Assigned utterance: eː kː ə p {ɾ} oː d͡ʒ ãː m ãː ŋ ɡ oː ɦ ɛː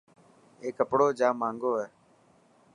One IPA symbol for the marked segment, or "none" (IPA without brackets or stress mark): ɽ